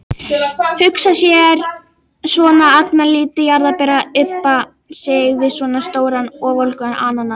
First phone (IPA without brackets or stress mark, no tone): h